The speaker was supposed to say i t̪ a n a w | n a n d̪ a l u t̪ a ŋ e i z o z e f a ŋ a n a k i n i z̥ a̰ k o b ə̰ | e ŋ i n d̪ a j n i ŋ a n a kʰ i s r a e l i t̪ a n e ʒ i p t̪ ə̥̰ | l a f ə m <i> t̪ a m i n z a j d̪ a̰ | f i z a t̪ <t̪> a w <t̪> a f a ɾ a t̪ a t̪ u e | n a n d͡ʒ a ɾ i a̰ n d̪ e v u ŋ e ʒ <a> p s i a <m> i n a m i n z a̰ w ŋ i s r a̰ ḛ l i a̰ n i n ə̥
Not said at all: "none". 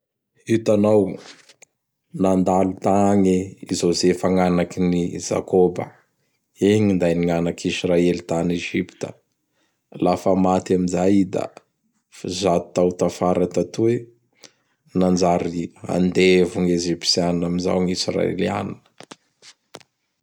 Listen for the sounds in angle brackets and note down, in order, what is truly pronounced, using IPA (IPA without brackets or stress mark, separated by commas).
a, t̪, t̪, i, n